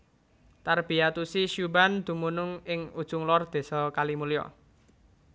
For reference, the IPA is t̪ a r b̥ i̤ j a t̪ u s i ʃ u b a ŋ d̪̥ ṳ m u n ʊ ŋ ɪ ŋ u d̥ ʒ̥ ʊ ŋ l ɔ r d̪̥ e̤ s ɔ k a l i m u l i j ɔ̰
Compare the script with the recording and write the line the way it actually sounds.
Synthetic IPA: t̪ a r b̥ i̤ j a t̪ u s i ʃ u b a n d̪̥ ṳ m u n ʊ ŋ ɪ ŋ u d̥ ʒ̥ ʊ ŋ l ɔ r d̪̥ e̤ s ɔ k a l i m u l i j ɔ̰